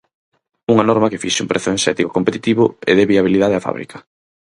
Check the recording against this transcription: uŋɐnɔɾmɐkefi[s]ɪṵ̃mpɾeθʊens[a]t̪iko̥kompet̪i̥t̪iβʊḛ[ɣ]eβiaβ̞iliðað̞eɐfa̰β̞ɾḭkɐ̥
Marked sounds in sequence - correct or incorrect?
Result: incorrect: ʃ, incorrect: ɛ, incorrect: ð

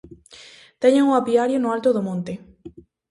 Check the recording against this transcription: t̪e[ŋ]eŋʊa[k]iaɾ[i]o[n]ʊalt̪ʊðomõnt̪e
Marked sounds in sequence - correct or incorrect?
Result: incorrect: ɲ, incorrect: p, incorrect: j, correct

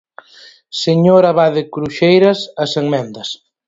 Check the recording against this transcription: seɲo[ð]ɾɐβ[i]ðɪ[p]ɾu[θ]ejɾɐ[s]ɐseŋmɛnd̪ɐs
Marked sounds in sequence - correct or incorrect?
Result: incorrect: none, incorrect: a, incorrect: k, incorrect: ʃ, correct

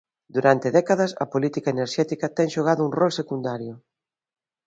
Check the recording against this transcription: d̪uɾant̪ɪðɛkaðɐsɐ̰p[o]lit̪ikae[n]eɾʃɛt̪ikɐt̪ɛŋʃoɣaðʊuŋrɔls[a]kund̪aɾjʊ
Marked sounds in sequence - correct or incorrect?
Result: correct, correct, incorrect: e

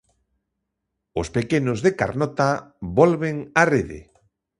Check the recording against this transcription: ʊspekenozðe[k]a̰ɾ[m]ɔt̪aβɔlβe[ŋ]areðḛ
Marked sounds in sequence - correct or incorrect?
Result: correct, incorrect: n, correct

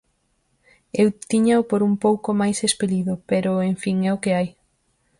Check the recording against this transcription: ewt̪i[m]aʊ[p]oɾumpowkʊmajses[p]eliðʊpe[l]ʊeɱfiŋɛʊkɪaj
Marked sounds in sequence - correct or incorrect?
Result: incorrect: ɲ, correct, correct, incorrect: ɾ

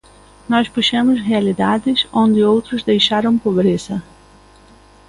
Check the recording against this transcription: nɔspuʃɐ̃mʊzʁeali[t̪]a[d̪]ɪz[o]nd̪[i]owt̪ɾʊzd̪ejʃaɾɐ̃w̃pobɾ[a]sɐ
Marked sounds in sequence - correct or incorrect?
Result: incorrect: d̪, correct, incorrect: õ, incorrect: ɪ, incorrect: e

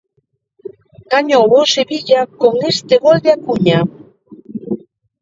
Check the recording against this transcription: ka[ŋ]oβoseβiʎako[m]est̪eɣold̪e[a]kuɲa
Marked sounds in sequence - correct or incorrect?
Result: incorrect: ɲ, incorrect: ŋ, correct

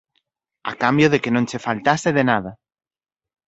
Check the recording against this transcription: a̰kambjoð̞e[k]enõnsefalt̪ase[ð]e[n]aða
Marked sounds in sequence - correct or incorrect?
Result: correct, correct, correct

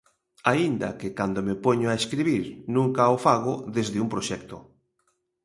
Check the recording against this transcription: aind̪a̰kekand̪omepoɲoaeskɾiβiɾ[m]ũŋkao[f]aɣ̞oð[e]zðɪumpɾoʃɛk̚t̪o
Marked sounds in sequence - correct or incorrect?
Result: incorrect: n, correct, correct

